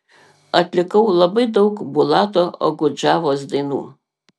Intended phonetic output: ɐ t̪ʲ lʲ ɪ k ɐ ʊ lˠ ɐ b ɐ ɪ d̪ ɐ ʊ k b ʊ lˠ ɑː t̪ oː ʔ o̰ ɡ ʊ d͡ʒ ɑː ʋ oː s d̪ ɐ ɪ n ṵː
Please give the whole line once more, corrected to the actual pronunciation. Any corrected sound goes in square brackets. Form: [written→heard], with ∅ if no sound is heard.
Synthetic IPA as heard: ɐ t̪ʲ lʲ ɪ k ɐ ʊ lˠ ɐ b ɐ ɪ d̪ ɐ ʊ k b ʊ lˠ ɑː t̪ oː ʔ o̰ ɡ ʊ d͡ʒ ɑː ʋ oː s d̪ ɐ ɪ n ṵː

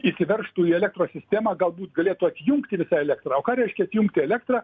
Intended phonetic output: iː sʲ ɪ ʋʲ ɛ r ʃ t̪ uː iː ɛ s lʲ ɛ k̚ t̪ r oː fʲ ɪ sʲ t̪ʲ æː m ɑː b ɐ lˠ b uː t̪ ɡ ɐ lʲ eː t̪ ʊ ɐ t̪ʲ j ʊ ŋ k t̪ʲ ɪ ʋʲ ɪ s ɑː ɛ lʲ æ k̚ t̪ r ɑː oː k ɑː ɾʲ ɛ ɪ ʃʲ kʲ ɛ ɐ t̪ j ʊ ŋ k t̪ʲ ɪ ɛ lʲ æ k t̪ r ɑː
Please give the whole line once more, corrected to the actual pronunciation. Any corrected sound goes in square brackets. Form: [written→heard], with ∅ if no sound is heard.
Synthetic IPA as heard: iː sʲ ɪ ʋʲ ɛ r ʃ t̪ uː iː ɛ [s→∅] lʲ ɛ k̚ t̪ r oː [fʲ→sʲ] ɪ sʲ t̪ʲ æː m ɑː [b→ɡ] ɐ lˠ b uː t̪ ɡ ɐ lʲ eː t̪ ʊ ɐ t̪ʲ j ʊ ŋ k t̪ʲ ɪ ʋʲ ɪ s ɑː ɛ lʲ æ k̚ t̪ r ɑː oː k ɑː ɾʲ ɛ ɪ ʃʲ kʲ ɛ ɐ t̪ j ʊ ŋ k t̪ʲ ɪ ɛ lʲ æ k t̪ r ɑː

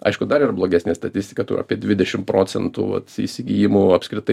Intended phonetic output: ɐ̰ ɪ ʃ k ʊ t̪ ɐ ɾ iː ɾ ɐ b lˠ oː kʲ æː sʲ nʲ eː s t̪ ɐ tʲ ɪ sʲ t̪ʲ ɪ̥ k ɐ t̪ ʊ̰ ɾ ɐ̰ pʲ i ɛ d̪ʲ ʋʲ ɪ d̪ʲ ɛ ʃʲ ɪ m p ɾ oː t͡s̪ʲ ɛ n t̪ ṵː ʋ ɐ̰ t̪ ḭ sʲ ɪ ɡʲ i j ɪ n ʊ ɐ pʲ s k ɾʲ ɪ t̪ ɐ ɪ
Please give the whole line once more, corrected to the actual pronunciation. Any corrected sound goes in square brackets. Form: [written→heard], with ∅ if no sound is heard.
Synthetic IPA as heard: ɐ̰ ɪ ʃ k ʊ [t̪→d̪] ɐ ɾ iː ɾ ɐ b lˠ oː [kʲ→ɡʲ] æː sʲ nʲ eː s t̪ ɐ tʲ ɪ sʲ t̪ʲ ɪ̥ k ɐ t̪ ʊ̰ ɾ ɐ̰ pʲ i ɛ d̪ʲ ʋʲ ɪ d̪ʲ ɛ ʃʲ ɪ m p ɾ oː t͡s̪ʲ ɛ n t̪ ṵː ʋ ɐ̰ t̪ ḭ sʲ ɪ ɡʲ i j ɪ [n→m] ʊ ɐ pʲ s k ɾʲ ɪ t̪ ɐ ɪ

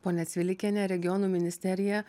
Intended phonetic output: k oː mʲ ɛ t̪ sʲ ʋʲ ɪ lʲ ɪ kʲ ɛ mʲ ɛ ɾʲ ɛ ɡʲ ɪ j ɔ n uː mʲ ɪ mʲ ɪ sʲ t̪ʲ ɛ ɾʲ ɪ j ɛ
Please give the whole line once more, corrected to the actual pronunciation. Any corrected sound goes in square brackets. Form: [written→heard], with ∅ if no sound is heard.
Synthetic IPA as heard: [k→p] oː [mʲ→nʲ] ɛ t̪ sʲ ʋʲ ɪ lʲ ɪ kʲ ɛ [mʲ→nʲ] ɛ ɾʲ ɛ ɡʲ ɪ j ɔ n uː mʲ ɪ [mʲ→nʲ] ɪ sʲ t̪ʲ ɛ ɾʲ ɪ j ɛ

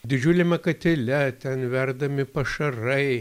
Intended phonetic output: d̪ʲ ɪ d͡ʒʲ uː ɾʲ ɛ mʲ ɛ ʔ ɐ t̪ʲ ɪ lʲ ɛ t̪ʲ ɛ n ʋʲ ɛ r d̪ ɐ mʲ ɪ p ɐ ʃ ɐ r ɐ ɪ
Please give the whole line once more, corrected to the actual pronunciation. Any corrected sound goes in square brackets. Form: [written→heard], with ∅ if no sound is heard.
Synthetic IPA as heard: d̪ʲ ɪ d͡ʒʲ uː [ɾʲ→lʲ] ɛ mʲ ɛ [ʔ→k] ɐ t̪ʲ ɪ lʲ ɛ t̪ʲ ɛ n ʋʲ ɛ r d̪ ɐ mʲ ɪ p ɐ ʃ ɐ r ɐ ɪ

